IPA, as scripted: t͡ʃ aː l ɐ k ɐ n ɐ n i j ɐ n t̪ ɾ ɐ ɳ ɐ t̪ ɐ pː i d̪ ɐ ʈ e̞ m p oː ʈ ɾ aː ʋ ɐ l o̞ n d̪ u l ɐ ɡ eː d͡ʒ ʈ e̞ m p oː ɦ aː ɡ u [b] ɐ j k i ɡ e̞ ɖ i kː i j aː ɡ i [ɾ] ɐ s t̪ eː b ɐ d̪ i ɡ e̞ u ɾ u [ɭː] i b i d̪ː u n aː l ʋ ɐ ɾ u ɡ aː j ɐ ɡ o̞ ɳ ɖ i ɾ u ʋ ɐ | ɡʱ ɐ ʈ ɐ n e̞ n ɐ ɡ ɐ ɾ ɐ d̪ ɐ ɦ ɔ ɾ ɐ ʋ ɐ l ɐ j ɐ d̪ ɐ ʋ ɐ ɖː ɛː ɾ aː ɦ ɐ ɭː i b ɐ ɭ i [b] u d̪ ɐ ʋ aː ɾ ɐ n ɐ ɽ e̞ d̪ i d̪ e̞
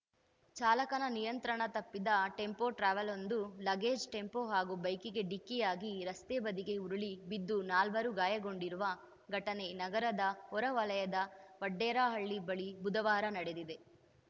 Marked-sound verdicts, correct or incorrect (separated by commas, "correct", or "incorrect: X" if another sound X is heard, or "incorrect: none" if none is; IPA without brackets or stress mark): correct, correct, incorrect: ɭ, correct